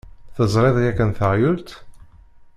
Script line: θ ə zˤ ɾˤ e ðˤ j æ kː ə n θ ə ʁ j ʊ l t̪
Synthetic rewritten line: θ ə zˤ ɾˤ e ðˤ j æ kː ə n θ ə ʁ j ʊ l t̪